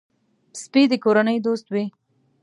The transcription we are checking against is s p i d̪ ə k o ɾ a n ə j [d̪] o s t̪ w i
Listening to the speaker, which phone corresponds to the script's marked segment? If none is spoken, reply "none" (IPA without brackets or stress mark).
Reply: d̪